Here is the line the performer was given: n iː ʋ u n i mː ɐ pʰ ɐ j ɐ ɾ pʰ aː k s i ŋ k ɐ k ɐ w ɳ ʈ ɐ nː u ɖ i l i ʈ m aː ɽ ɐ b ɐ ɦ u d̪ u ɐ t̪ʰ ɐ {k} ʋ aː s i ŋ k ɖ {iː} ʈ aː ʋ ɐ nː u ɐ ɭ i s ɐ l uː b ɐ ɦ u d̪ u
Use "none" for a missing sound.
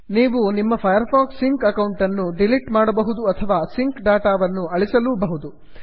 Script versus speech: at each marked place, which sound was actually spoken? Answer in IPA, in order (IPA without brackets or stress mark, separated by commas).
none, aː